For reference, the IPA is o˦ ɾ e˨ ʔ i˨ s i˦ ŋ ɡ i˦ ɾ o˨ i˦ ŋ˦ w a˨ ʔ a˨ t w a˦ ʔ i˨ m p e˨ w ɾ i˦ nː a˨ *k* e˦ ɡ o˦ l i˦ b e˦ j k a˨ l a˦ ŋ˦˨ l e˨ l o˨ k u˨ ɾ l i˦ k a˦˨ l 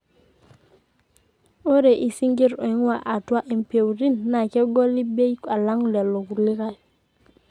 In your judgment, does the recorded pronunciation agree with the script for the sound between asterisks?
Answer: yes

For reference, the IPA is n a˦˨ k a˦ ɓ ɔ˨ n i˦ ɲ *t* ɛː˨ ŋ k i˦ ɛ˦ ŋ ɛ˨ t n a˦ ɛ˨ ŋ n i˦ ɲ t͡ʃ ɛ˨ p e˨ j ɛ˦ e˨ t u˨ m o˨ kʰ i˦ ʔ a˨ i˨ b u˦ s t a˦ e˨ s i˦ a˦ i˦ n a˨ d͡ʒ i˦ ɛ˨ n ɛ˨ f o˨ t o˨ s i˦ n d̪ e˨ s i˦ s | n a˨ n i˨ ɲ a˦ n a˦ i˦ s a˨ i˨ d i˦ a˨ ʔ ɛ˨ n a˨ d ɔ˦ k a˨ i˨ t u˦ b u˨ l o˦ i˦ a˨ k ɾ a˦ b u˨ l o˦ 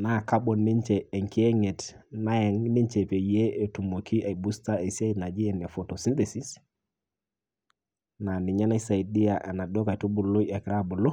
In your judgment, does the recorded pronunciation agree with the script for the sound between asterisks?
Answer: no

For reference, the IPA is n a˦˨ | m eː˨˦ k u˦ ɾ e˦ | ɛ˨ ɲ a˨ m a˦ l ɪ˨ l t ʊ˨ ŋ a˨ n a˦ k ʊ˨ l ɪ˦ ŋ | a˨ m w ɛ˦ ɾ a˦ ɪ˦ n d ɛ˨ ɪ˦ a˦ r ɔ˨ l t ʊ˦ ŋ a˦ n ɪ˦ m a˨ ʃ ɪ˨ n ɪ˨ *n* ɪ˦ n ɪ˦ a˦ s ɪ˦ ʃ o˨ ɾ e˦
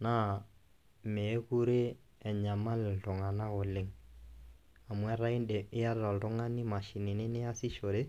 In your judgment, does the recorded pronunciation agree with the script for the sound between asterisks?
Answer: yes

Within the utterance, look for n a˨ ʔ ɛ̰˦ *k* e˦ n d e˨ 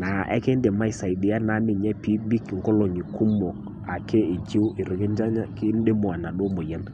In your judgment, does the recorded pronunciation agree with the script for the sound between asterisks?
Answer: yes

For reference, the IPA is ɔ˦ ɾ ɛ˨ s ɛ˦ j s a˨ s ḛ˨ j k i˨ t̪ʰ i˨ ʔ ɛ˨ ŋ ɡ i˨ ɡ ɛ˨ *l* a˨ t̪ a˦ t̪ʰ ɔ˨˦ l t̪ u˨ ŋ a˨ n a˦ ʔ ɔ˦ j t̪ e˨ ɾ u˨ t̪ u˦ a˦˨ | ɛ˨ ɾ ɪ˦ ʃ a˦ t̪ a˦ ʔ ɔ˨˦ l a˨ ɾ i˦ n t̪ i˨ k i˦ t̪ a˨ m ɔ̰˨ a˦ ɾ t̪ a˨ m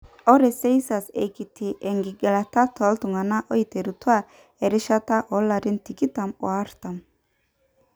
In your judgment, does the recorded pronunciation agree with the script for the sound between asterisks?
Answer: yes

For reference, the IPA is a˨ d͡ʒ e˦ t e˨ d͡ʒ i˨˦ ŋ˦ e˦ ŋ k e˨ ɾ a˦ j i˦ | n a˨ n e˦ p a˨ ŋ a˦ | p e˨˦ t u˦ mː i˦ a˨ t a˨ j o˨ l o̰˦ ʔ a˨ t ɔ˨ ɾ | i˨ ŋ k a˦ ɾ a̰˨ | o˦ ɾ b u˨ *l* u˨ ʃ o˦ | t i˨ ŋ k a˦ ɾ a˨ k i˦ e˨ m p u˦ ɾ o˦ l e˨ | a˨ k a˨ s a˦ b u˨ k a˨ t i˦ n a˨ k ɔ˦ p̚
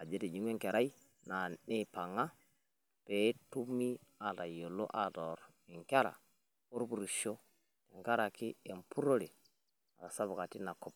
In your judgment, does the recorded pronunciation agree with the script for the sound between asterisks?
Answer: no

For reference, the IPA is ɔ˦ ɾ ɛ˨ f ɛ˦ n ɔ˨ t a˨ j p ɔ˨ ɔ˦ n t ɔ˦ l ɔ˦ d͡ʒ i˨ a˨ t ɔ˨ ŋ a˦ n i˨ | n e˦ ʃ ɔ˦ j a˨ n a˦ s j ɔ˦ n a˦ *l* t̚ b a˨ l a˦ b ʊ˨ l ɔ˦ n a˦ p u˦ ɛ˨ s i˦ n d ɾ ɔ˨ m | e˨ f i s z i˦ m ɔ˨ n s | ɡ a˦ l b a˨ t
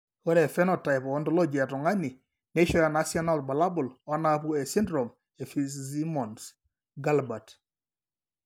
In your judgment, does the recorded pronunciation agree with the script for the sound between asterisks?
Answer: yes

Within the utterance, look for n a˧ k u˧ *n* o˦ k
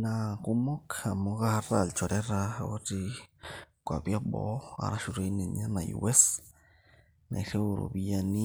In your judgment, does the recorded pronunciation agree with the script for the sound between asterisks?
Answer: no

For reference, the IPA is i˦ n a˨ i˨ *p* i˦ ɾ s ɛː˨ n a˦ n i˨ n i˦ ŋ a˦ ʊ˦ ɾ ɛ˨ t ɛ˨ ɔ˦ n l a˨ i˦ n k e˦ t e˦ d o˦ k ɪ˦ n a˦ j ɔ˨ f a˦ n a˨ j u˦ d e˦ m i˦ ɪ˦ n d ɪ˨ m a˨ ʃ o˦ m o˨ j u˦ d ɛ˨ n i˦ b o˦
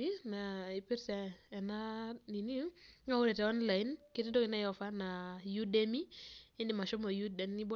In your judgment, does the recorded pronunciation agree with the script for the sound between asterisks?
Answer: yes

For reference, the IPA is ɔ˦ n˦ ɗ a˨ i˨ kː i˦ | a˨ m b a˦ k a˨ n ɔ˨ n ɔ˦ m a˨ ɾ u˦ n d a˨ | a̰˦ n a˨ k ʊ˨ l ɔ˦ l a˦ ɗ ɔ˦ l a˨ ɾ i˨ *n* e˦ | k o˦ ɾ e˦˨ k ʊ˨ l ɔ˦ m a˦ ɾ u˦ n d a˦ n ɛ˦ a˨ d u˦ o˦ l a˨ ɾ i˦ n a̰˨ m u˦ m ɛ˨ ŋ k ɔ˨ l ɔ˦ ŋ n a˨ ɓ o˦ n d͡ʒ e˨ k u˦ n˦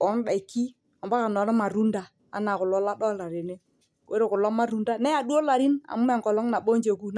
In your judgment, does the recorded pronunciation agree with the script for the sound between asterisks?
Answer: yes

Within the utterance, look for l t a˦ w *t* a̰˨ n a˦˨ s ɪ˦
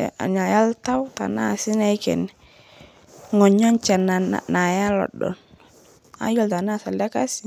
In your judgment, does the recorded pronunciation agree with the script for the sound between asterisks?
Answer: yes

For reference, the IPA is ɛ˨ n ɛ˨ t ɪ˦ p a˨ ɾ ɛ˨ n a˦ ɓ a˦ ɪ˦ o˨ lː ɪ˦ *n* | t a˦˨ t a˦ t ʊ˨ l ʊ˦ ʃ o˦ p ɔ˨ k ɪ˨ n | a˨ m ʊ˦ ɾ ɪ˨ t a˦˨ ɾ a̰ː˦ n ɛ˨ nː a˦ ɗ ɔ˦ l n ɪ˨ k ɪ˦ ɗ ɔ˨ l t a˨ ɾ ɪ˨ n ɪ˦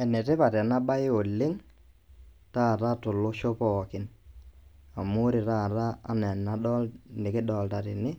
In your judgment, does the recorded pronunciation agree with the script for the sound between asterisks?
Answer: no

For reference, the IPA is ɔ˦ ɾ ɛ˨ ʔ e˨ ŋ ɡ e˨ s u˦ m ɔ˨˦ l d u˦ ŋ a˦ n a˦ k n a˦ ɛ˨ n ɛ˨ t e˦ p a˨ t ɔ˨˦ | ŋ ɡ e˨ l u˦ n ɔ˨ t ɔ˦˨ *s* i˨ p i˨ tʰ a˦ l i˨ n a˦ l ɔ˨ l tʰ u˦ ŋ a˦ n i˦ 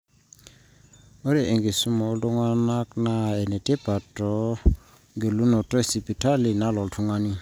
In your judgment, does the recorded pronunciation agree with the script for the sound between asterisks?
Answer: yes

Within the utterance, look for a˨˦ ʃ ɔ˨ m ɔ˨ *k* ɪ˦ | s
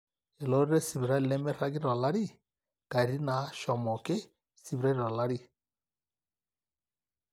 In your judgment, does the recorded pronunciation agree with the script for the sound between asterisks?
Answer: yes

